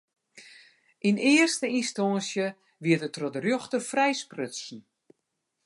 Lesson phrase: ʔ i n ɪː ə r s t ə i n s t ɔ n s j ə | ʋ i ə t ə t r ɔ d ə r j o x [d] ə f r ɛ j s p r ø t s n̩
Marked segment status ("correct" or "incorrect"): incorrect